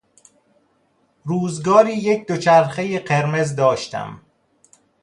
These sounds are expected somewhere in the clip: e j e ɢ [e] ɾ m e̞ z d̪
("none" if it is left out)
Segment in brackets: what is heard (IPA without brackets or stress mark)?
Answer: e